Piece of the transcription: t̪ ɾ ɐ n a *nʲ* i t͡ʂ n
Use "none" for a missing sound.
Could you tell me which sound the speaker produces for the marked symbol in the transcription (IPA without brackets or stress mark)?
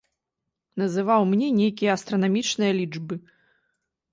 mʲ